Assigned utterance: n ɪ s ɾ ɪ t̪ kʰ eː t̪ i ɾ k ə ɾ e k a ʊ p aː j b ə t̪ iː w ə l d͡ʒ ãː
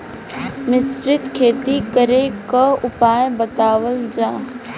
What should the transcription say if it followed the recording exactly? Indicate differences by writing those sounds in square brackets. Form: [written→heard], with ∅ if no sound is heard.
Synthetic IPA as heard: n ɪ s ɾ ɪ t̪ kʰ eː t̪ i [ɾ→∅] k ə ɾ e k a ʊ p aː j b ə t̪ [iː→aː] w ə l d͡ʒ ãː